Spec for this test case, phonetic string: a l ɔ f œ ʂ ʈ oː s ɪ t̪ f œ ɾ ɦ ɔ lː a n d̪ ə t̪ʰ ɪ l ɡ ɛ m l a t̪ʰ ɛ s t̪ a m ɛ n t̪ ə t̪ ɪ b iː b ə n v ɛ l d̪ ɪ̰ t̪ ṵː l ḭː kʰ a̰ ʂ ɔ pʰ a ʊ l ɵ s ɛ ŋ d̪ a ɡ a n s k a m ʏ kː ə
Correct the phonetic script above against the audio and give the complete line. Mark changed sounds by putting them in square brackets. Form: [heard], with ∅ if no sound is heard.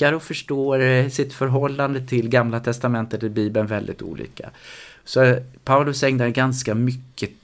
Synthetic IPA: a [ɾ] ɔ f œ ʂ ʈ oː s ɪ t̪ f œ ɾ ɦ ɔ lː a n d̪ ə t̪ʰ ɪ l ɡ [a] m l a t̪ʰ ɛ s t̪ a m ɛ n t̪ ə t̪ ɪ b iː b ə n v ɛ l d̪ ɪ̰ t̪ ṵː l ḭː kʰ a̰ [s] ɔ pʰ a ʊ l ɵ s ɛ ŋ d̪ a ɡ a n s k a m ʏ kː ə